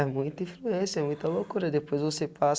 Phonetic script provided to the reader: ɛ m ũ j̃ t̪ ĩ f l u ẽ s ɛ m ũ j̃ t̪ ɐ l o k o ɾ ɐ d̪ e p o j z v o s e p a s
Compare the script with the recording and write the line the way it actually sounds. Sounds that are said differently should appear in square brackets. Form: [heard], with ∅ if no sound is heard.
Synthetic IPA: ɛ m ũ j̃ t̪ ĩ f l u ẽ s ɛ m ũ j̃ t̪ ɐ l o k [u] ɾ ɐ d̪ e p o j z v o s e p a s